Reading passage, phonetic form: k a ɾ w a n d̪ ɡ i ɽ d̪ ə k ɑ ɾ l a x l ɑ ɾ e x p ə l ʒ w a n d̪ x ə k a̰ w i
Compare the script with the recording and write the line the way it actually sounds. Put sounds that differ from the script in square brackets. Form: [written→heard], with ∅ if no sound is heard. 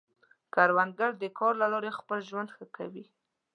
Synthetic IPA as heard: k a ɾ w a n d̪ ɡ [i→a] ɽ d̪ ə k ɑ ɾ l a [x→∅] l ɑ ɾ e x p ə l ʒ w a n d̪ x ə k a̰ w i